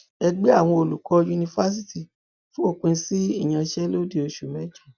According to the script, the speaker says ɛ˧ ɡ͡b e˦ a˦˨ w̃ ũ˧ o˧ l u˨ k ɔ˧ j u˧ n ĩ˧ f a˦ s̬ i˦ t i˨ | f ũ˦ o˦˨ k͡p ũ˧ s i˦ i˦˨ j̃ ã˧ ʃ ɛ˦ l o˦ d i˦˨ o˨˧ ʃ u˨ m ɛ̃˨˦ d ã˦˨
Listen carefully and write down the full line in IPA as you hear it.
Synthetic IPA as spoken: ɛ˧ ɡ͡b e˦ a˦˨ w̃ ɔ̃˧ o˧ l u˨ k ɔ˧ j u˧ n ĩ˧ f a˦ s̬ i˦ t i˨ | f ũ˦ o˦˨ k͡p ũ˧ s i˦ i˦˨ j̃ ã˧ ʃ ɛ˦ l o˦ d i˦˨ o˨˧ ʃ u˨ m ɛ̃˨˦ d͡ʒ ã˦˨